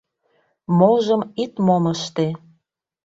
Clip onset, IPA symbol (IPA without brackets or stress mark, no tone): m